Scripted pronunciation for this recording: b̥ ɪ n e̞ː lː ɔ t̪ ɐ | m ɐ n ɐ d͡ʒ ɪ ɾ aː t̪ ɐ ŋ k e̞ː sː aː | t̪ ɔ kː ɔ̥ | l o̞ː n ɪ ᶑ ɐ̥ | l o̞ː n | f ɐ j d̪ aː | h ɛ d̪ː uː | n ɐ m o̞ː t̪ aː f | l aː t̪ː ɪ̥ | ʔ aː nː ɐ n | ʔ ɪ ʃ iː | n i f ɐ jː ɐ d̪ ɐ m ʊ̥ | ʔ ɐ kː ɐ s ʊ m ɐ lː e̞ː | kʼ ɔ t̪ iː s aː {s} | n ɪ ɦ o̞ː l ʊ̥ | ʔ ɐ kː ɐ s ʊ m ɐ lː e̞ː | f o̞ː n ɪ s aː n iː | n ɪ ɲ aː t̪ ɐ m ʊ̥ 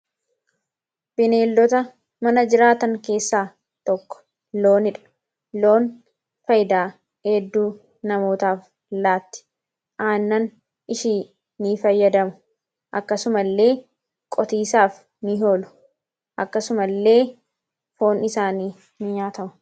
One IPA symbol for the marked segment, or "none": f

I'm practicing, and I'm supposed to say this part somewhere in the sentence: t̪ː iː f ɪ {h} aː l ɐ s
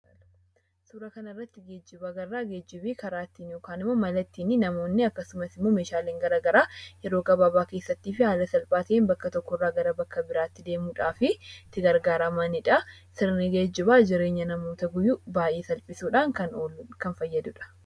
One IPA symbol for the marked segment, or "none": h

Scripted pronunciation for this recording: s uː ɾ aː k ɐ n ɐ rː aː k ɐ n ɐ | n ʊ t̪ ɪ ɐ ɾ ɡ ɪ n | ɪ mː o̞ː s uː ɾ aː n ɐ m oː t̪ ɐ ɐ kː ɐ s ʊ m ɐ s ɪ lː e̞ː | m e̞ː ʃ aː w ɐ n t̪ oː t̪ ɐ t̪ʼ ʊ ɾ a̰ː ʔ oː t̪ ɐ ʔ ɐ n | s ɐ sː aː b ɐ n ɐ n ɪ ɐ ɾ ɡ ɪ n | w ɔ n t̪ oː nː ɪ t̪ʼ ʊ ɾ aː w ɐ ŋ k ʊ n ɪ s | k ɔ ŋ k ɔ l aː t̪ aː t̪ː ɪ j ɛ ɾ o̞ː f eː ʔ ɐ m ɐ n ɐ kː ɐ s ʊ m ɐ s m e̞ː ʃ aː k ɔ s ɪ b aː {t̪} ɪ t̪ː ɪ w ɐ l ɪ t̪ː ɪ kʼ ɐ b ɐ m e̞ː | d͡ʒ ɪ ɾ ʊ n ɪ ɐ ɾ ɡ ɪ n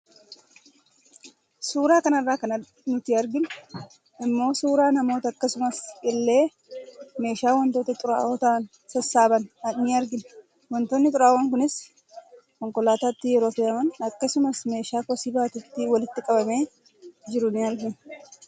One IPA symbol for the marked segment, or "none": t̪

